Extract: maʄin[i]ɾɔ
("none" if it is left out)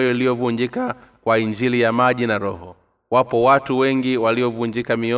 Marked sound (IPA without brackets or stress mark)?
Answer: a